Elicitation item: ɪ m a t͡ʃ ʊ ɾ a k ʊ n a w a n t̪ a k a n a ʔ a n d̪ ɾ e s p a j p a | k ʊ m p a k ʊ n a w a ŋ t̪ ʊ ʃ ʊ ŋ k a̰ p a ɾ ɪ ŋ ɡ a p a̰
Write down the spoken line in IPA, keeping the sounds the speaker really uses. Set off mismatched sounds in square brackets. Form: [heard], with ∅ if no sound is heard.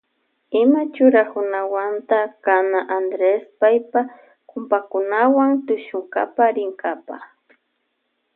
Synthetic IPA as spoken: ɪ m a t͡ʃ ʊ ɾ a k ʊ n a w a n t̪ a k a n a ʔ a n d̪ ɾ e s p a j p a | k ʊ m p a k ʊ n a w a ŋ t̪ ʊ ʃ ʊ ŋ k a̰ p a ɾ ɪ ŋ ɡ a p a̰